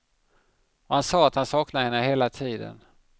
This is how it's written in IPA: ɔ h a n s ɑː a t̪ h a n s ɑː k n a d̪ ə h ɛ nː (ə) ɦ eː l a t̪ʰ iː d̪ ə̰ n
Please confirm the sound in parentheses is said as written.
yes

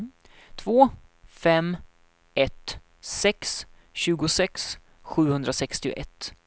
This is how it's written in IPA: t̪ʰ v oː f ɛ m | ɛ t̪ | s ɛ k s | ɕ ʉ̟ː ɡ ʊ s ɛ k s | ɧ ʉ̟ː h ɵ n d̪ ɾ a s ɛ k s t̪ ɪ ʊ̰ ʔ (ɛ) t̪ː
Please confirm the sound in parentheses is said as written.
yes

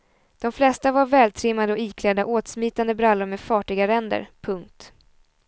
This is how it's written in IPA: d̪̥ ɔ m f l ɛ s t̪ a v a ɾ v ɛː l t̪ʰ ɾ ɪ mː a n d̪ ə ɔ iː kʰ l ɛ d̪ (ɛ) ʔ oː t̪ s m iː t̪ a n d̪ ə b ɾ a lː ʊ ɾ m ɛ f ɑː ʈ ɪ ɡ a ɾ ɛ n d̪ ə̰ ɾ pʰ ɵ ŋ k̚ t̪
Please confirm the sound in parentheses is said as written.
no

